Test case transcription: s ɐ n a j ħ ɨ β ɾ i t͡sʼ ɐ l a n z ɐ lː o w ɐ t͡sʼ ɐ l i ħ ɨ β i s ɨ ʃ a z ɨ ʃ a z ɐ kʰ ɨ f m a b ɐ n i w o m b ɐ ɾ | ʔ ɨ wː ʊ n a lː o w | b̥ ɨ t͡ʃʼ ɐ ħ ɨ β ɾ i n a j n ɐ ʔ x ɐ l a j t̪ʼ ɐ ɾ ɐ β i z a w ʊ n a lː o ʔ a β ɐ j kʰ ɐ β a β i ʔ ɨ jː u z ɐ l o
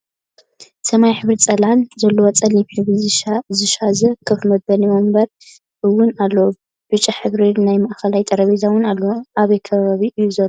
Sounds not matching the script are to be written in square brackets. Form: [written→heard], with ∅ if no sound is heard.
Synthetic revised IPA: s ɐ [n→m] a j ħ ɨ β ɾ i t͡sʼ ɐ l a n z ɐ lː o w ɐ t͡sʼ ɐ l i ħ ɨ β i [s→z] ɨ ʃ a z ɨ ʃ a z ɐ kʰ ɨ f m [a→ɐ] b ɐ n i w o m b ɐ ɾ | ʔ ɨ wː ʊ n a lː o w | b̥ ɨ t͡ʃʼ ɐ ħ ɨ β ɾ i n a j [n→m] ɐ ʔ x ɐ l a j t̪ʼ ɐ ɾ ɐ β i z a w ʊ n a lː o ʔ a β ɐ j kʰ ɐ β a β i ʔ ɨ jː u z ɐ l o